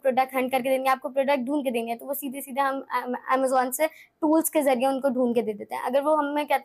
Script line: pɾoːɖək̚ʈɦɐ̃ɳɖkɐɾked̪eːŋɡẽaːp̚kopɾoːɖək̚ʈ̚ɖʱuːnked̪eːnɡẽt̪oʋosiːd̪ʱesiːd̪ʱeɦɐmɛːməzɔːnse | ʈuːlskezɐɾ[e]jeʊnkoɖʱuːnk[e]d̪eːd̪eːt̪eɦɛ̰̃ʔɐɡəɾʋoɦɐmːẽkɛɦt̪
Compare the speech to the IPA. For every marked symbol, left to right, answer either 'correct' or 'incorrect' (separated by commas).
incorrect, correct